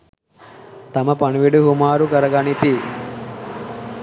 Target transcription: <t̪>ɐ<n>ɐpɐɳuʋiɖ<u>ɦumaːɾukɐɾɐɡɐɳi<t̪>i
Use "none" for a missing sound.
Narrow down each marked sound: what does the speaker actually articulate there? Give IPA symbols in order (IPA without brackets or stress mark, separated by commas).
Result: t̪, m, u, t̪